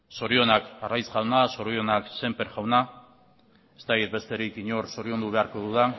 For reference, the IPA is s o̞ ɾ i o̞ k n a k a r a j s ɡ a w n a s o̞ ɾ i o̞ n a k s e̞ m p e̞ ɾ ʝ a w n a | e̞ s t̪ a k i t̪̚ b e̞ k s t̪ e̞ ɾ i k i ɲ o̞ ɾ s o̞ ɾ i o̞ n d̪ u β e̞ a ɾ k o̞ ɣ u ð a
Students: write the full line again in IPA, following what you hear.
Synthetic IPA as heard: s o̞ ɾ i o̞ n a k a r a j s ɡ a w n a s o̞ ɾ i o̞ n a k s e̞ m p e̞ ɾ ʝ a w n a | e̞ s t̪ a k i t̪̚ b e̞ s t̪ e̞ ɾ i k i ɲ o̞ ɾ s o̞ ɾ i o̞ n d̪ u β e̞ a ɾ k o̞ ð u ð a